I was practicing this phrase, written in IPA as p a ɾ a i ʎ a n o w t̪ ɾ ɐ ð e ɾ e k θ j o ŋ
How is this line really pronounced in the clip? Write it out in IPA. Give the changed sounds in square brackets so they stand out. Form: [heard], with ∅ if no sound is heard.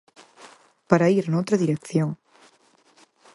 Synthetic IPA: p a ɾ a i [ɾ] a n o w t̪ ɾ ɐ ð [i] ɾ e k θ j o ŋ